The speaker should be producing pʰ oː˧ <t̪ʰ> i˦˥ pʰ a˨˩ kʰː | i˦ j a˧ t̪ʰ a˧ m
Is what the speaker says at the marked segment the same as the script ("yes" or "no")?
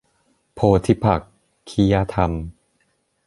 yes